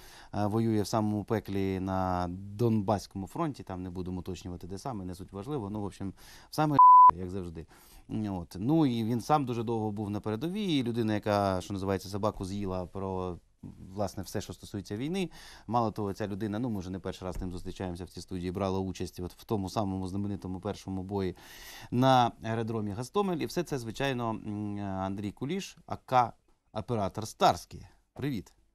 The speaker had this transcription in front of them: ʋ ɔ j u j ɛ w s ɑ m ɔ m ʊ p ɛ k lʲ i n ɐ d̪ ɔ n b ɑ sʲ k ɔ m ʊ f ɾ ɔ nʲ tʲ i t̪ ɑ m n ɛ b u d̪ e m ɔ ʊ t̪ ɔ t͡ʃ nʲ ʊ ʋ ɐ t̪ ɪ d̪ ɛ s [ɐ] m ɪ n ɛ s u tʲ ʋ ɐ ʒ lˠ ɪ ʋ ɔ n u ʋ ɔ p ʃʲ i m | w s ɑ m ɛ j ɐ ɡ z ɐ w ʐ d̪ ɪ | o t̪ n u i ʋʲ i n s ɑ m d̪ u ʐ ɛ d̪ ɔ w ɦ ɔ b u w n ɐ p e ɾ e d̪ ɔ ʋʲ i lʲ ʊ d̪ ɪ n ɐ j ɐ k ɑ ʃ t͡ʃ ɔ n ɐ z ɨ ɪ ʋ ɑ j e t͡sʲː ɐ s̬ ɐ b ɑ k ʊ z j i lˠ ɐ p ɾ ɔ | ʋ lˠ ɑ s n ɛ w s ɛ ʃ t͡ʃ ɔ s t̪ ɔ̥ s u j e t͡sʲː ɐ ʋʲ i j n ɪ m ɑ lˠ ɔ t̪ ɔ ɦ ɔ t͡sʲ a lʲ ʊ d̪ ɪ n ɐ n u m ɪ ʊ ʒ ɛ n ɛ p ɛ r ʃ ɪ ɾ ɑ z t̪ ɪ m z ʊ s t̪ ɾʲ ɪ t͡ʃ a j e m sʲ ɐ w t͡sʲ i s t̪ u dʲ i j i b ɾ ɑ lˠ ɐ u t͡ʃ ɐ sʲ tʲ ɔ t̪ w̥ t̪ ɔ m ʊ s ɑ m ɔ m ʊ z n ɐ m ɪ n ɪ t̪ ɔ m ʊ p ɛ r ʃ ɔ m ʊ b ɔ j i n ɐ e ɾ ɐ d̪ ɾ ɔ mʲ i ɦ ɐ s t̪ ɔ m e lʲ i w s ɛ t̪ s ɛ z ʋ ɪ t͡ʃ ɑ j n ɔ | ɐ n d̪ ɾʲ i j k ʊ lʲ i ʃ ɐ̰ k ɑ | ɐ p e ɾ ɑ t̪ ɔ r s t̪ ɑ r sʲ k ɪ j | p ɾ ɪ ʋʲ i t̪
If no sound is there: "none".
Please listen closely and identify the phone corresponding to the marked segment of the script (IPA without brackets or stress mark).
ɑ